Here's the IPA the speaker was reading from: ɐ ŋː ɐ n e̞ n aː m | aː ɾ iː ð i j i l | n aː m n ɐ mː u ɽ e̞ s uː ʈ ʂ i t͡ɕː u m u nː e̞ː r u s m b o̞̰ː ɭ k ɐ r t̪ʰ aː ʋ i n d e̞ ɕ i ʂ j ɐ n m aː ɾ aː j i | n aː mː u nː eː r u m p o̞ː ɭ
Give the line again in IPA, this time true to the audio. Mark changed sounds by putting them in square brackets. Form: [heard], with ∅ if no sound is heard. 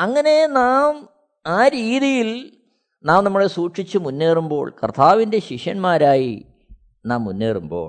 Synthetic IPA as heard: ɐ ŋː ɐ n e̞ n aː m | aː ɾ iː ð i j i l | n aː m n ɐ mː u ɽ e̞ s uː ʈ ʂ i t͡ɕː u m u nː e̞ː r u [∅] m b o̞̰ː ɭ k ɐ r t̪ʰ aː ʋ i n d e̞ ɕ i ʂ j ɐ n m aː ɾ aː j i | n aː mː u nː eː r u m [b] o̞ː ɭ